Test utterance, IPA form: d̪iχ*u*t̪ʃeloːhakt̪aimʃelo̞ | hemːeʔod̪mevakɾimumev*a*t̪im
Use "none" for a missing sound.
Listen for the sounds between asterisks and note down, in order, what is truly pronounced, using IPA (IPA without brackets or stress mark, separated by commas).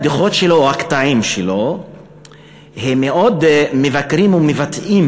o, a